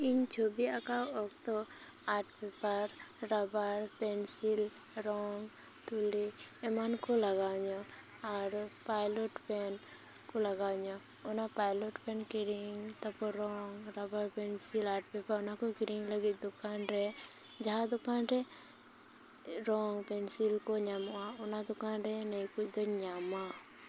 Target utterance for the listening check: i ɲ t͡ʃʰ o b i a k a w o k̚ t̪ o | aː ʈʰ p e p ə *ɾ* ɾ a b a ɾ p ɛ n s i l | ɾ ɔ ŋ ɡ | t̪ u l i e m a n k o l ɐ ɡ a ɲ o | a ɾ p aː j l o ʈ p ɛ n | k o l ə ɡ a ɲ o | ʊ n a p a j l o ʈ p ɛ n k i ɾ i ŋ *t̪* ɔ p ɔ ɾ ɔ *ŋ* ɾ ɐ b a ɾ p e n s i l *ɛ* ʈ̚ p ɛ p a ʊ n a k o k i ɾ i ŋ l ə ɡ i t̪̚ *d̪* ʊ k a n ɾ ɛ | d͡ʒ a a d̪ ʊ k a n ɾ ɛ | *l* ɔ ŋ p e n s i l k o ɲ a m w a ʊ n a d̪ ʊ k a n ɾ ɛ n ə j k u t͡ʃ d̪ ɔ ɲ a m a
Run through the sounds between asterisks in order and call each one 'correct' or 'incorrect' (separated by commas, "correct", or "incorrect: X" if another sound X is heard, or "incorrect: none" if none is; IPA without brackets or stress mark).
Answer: correct, correct, correct, incorrect: a, correct, incorrect: ɾ